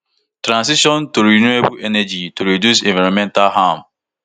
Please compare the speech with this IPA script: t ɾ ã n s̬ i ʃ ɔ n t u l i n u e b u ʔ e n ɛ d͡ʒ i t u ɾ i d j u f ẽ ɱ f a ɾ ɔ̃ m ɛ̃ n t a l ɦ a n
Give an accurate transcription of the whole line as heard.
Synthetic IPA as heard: t ɾ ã n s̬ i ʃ ɔ n t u ɾ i n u e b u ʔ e n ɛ d͡ʒ i t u ɾ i d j u s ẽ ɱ v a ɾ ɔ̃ m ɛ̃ n t a l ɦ a m